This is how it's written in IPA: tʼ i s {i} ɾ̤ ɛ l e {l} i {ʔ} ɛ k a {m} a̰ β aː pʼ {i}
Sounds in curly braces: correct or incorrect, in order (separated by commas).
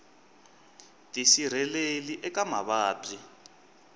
correct, correct, correct, correct, correct